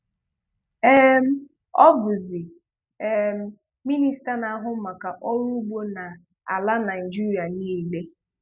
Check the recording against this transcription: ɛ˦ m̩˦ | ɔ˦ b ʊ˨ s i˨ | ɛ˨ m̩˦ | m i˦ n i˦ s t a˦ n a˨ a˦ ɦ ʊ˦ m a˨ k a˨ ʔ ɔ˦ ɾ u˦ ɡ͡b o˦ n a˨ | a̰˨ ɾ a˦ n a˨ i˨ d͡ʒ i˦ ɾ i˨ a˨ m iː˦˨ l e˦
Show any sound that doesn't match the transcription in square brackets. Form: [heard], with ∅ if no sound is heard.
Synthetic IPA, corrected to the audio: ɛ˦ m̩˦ | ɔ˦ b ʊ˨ [z] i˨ | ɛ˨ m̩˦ | m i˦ n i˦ s t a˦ n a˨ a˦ ɦ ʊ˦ m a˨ k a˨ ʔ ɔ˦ ɾ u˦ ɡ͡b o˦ n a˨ | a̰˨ [l] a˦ n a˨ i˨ d͡ʒ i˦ ɾ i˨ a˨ [n] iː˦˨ l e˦